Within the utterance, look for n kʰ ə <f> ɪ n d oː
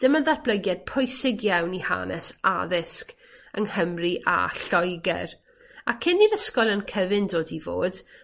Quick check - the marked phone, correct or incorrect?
incorrect